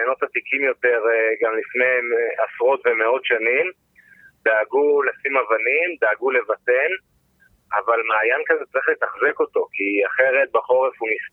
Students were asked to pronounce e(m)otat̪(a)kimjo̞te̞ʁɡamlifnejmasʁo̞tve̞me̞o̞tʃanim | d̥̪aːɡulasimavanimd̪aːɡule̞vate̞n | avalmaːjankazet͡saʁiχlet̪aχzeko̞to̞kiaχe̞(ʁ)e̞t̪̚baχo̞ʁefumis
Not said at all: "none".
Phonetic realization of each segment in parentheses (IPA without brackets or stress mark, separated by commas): n, i, ʁ